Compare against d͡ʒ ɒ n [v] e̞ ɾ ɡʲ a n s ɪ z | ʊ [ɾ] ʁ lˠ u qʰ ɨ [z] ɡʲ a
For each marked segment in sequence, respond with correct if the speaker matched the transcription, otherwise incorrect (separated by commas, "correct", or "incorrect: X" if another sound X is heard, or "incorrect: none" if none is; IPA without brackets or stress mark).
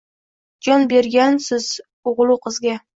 incorrect: b, incorrect: none, correct